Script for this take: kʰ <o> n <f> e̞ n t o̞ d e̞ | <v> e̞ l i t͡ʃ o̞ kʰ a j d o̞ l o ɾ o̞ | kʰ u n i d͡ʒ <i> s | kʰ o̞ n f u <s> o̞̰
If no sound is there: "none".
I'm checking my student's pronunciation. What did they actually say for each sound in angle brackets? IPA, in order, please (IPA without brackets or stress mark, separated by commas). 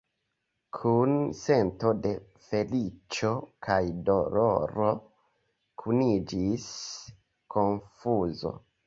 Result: u, s, f, i, z